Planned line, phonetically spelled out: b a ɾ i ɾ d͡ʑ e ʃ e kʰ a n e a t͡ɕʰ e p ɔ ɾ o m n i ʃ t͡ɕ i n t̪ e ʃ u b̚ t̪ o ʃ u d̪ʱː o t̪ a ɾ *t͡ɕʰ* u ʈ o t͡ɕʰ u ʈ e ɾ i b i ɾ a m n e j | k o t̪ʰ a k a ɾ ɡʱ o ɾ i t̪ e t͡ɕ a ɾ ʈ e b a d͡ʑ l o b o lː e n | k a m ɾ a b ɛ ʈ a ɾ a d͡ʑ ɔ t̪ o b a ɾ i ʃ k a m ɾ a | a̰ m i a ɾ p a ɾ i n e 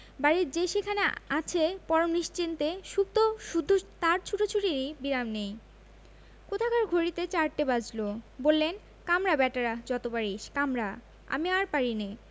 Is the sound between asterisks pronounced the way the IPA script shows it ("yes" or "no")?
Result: yes